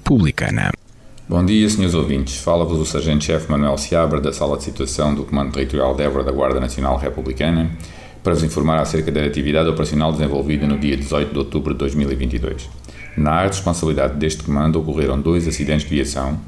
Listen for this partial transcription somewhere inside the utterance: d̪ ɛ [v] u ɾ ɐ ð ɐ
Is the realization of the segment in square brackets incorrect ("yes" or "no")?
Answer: no